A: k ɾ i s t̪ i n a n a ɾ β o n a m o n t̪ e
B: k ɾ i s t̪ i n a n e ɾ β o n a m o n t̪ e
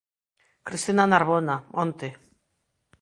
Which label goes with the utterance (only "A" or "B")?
A